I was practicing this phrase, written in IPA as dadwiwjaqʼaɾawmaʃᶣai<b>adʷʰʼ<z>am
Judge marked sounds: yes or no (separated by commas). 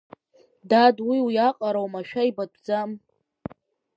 yes, no